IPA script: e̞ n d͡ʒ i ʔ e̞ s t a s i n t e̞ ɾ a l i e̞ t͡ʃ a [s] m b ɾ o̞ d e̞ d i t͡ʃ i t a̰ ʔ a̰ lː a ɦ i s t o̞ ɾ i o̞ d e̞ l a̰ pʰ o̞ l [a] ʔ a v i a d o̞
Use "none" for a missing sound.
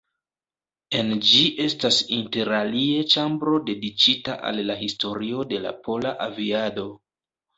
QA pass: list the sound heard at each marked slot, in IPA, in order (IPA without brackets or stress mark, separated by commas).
none, a